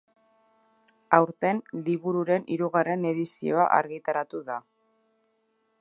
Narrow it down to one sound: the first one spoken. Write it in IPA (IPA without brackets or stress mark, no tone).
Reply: a